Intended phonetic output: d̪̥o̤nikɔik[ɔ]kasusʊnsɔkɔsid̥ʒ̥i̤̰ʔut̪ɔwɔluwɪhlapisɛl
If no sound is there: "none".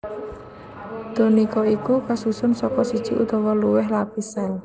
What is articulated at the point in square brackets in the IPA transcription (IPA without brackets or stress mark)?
u